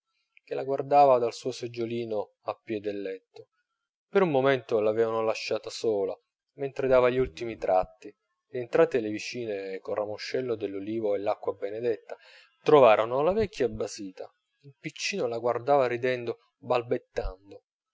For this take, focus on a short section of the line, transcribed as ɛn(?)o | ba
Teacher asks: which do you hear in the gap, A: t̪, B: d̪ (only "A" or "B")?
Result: B